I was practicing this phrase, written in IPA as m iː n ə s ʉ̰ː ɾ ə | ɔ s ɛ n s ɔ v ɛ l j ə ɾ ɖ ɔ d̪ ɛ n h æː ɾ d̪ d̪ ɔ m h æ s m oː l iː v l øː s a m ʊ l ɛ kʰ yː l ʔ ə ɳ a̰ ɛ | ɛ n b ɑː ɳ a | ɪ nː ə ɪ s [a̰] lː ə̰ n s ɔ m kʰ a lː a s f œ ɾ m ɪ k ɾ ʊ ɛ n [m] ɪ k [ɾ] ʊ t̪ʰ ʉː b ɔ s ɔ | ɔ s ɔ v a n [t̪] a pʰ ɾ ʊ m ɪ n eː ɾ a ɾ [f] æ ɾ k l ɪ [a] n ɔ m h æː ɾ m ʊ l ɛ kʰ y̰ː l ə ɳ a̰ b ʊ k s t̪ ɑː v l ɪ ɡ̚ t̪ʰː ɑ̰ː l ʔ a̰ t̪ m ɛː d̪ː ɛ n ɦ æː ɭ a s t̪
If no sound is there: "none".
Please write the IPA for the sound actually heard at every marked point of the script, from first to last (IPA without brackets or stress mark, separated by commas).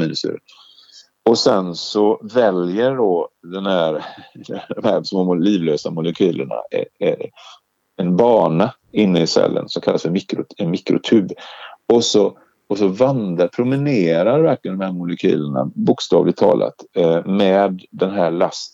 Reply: ɛ̰, m, ɾ, d̪, v, ə